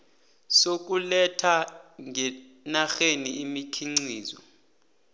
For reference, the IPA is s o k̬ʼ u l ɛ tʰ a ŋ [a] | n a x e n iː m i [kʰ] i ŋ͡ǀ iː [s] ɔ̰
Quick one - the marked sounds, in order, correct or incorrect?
incorrect: ɛ, correct, incorrect: z

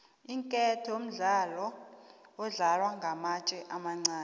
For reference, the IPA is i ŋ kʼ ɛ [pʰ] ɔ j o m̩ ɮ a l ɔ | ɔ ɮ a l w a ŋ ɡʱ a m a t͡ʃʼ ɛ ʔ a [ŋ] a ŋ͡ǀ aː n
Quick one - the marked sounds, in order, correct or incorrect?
incorrect: tʰ, incorrect: m

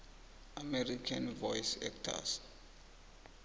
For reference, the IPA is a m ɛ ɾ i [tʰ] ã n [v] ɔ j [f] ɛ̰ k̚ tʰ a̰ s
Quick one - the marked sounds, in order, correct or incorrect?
incorrect: kʰ, correct, incorrect: s

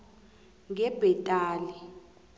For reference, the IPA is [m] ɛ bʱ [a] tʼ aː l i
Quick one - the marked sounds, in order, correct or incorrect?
incorrect: ŋ, incorrect: ɛ

